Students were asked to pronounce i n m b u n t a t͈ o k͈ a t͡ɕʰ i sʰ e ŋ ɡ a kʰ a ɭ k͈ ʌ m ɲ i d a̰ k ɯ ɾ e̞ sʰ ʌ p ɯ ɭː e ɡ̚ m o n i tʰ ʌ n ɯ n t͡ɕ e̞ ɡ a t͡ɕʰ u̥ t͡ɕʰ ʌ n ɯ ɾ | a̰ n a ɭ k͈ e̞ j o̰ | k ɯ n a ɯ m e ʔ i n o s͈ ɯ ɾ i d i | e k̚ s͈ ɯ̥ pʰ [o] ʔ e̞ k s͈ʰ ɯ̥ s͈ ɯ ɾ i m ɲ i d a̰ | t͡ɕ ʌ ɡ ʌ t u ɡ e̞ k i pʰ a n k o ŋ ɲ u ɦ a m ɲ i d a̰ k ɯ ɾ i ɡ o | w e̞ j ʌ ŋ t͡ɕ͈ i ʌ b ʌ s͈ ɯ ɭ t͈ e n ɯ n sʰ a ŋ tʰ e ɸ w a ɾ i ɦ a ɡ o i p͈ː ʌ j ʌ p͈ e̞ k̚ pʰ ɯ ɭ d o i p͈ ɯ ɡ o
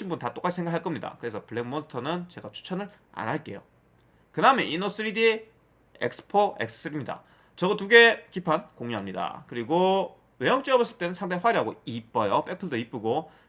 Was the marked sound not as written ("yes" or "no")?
no